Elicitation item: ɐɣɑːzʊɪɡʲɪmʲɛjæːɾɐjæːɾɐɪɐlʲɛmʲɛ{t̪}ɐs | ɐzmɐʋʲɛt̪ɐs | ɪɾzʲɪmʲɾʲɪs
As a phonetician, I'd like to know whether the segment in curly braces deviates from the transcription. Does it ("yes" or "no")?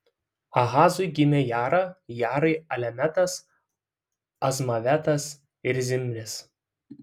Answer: no